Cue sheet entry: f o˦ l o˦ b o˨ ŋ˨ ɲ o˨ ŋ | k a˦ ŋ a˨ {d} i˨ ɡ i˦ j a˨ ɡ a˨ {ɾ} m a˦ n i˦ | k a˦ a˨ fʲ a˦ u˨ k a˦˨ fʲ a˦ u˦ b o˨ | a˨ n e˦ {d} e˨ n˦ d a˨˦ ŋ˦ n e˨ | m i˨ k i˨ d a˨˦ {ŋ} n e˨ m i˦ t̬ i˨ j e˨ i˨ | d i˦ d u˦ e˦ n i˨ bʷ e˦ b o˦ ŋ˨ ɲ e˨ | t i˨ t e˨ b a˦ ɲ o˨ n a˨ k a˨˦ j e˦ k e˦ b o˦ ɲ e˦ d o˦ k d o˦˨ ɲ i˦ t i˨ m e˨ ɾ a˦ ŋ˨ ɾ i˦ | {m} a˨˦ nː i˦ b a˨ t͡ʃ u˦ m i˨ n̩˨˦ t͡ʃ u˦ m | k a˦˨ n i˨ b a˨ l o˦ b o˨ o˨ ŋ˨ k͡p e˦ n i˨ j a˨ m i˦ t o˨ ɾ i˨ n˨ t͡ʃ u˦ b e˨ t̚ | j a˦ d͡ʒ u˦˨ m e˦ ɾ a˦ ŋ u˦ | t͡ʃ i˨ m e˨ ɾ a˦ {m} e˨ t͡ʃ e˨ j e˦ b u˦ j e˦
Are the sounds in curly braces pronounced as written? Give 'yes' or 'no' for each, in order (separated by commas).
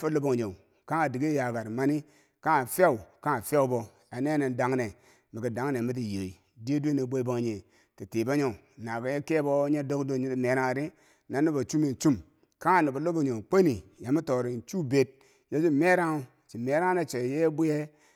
yes, yes, no, yes, no, no